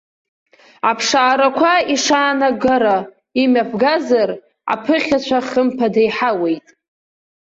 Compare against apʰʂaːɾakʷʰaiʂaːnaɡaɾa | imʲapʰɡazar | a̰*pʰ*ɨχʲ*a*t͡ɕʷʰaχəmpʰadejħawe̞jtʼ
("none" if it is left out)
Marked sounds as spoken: pʰ, a

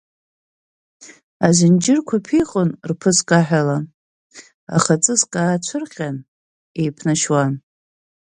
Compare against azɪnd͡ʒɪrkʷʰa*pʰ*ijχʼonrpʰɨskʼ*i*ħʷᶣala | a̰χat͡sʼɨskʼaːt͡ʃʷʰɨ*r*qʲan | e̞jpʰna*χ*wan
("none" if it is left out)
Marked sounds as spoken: pʰ, a, r, ʃ

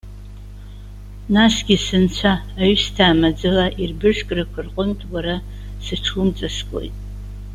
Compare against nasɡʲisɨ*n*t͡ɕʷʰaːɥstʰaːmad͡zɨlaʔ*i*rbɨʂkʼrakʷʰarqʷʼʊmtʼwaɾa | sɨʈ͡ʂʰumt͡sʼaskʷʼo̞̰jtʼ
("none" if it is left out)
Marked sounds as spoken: n, i

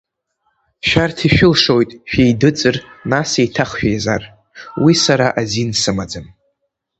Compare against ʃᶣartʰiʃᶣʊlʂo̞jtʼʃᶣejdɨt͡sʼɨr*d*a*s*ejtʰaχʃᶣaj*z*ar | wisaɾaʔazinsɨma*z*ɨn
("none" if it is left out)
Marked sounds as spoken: n, s, z, d͡z

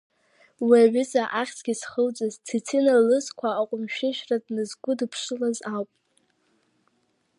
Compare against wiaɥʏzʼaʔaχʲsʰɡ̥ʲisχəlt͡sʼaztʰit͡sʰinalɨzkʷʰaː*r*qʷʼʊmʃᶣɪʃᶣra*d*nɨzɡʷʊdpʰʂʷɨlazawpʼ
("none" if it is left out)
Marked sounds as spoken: none, d

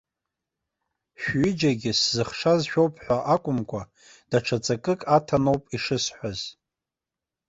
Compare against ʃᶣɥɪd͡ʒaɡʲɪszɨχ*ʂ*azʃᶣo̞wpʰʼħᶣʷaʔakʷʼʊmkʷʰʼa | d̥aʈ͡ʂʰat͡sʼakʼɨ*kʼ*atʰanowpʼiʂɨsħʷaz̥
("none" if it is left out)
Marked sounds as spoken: ʂ, kʼ

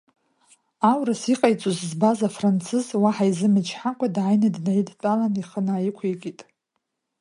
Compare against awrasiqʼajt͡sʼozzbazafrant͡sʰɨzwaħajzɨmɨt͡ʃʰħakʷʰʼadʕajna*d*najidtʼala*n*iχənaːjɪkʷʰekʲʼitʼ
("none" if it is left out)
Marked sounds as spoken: d, n

